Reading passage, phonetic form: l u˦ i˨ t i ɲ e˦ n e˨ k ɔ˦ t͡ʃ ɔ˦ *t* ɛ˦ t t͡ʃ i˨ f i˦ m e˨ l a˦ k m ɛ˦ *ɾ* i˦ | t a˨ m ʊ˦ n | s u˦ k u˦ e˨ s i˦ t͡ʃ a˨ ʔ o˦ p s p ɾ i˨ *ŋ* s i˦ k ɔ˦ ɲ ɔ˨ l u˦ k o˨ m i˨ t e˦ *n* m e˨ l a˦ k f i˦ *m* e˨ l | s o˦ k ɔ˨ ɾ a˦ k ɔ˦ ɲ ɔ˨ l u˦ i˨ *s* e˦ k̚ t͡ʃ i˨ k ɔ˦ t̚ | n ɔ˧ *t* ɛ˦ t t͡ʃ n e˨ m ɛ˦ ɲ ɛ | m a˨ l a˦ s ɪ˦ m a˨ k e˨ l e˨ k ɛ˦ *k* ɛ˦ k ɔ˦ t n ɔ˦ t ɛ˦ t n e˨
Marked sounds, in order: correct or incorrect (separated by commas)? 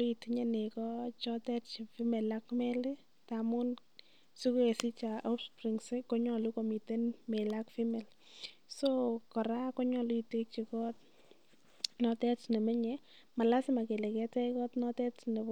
correct, incorrect, correct, correct, correct, incorrect, correct, incorrect